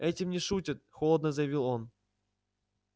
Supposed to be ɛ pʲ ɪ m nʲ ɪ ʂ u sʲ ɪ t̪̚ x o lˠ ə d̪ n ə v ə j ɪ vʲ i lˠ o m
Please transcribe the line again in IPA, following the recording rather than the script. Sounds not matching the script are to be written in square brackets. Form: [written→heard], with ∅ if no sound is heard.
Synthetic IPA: ɛ [pʲ→tʲ] ɪ m nʲ ɪ ʂ u [sʲ→tʲ] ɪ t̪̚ x o lˠ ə d̪ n ə [v→z] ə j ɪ vʲ i lˠ o [m→n]